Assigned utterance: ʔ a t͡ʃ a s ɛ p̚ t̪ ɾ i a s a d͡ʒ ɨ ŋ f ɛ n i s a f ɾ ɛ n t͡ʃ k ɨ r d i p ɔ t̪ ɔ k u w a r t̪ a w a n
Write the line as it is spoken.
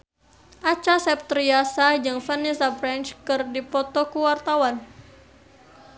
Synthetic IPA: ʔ a t͡ʃ a s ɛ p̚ t̪ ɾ i a s a d͡ʒ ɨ ŋ f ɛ n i s a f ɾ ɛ n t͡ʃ k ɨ r d i p ɔ t̪ ɔ k u w a r t̪ a w a n